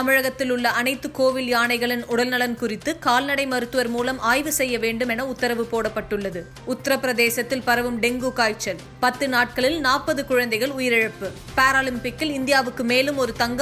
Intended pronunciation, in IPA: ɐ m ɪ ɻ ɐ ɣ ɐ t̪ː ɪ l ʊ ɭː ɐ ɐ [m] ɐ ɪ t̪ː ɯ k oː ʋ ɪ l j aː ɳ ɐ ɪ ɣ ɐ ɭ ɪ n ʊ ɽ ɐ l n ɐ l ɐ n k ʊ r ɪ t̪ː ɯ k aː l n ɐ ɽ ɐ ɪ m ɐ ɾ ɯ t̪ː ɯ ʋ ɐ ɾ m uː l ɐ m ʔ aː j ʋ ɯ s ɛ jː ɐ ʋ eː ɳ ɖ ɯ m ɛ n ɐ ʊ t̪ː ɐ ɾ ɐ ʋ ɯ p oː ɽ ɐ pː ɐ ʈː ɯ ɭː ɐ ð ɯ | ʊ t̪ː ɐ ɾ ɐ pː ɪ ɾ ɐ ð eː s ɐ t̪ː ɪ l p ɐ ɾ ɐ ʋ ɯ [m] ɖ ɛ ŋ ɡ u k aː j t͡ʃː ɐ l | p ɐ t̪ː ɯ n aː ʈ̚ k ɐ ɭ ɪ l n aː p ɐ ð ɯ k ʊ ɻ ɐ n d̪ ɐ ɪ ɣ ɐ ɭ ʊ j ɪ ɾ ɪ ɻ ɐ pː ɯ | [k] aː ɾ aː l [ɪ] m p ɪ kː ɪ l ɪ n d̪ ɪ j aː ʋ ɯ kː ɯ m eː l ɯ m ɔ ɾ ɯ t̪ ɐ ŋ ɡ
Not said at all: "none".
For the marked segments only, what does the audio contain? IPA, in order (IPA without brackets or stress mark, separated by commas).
n, m, p, ɪ